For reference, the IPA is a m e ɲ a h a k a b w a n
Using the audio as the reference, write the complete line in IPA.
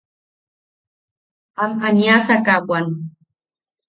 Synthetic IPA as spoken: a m a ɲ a s a k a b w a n